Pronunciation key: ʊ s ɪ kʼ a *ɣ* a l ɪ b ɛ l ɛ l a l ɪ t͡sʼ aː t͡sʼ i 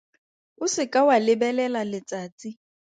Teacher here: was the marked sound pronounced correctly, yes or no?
no